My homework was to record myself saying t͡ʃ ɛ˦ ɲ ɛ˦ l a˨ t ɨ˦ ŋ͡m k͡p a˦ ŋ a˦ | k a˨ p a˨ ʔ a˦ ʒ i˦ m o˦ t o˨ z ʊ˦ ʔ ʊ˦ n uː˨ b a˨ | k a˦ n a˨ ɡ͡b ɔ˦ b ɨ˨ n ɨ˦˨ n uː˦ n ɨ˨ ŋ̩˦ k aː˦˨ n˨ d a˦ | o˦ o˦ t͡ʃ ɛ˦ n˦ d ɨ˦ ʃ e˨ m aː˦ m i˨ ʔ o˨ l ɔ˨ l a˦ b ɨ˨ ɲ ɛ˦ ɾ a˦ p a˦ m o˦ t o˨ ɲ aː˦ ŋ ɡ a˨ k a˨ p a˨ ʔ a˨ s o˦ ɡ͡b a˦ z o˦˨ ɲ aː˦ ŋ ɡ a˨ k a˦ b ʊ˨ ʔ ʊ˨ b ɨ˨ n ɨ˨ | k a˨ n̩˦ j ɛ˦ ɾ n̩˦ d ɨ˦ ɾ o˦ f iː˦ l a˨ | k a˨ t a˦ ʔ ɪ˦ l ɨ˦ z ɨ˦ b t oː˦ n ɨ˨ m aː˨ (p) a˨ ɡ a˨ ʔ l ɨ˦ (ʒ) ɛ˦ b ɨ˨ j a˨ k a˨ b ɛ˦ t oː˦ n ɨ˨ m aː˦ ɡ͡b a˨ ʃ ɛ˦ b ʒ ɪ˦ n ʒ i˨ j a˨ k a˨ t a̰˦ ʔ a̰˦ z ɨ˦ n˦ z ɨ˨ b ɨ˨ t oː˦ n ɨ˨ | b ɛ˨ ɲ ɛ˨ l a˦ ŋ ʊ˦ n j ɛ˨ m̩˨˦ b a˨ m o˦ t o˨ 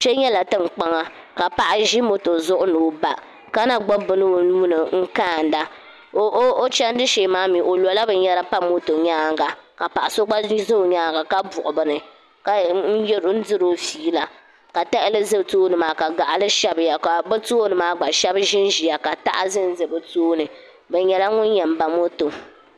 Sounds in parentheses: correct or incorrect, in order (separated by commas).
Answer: incorrect, incorrect